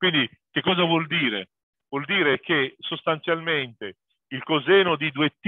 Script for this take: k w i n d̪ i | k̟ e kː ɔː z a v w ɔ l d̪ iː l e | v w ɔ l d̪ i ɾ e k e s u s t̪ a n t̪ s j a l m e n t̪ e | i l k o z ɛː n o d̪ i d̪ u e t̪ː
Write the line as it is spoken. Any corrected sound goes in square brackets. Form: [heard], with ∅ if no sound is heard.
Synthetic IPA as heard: k w i n d̪ i | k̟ e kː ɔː z a v w ɔ l d̪ iː [ɾ] e | v w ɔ l d̪ [iː] ɾ e k e s [o] s t̪ a n t̪ s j a l m e n t̪ e | i l k o z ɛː n o d̪ i d̪ u e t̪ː